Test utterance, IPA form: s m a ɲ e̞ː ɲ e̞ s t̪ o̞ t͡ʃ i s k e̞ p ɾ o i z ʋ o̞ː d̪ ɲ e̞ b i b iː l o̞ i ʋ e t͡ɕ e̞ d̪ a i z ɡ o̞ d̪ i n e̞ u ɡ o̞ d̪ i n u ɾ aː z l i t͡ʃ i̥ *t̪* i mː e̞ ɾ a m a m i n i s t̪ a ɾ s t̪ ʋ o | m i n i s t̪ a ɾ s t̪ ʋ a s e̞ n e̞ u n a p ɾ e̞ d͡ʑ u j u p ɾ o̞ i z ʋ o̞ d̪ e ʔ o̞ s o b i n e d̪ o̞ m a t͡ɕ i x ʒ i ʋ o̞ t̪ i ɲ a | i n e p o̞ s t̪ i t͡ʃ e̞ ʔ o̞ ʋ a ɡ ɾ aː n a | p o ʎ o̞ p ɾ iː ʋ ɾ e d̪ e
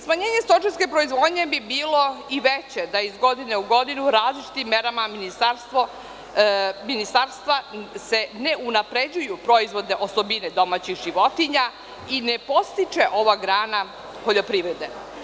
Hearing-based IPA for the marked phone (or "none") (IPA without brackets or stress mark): t̪